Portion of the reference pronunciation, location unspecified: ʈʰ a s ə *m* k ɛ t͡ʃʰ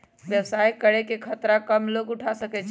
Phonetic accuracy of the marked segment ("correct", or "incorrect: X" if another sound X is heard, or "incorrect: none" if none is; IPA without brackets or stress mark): incorrect: none